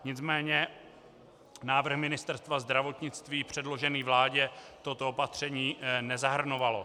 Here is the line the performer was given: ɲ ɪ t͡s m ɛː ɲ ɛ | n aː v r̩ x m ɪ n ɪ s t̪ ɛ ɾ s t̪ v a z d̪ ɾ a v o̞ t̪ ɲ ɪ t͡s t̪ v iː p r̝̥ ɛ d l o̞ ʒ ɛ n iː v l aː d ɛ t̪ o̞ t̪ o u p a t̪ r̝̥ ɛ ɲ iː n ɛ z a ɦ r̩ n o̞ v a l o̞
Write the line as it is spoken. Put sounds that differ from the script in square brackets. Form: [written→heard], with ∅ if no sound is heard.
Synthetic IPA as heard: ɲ ɪ t͡s m ɛː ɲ ɛ | n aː v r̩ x m ɪ n ɪ s t̪ ɛ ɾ s t̪ v a z d̪ ɾ a v o̞ t̪ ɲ ɪ t͡s t̪ v iː p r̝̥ ɛ d l o̞ ʒ ɛ n iː v l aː [d→ɟ] ɛ t̪ o̞ t̪ o [u→o] p a t̪ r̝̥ ɛ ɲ iː n ɛ z a ɦ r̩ n o̞ v a l o̞